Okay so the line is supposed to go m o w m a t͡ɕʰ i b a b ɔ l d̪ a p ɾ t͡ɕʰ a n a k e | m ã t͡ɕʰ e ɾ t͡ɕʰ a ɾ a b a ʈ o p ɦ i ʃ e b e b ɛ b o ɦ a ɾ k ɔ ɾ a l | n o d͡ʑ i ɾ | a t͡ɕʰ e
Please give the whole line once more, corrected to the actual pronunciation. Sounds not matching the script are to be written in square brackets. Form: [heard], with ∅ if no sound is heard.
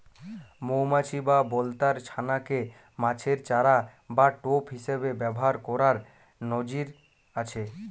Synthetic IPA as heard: m o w m a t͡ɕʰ i b a b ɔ l [t̪] a [∅] ɾ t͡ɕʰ a n a k e | m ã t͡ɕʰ e ɾ [t͡ɕ] a ɾ a b a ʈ o p ɦ i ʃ e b e b ɛ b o ɦ a ɾ k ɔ ɾ a [ɾ] | n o d͡ʑ i ɾ | a t͡ɕʰ e